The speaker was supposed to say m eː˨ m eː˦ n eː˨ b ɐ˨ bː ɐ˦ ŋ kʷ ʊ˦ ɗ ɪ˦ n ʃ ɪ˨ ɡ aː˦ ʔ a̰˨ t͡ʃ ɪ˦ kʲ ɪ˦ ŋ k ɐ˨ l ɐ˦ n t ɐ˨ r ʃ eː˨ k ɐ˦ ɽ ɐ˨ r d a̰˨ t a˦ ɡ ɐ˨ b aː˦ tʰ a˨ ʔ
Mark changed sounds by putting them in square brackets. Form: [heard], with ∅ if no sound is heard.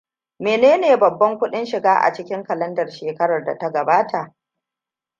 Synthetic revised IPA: m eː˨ [n] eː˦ n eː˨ b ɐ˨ bː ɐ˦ ŋ kʷ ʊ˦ ɗ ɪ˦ n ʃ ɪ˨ ɡ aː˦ ʔ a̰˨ t͡ʃ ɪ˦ kʲ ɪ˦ ŋ k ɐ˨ l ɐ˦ n [d] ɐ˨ r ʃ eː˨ k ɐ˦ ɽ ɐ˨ r d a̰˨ t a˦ ɡ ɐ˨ b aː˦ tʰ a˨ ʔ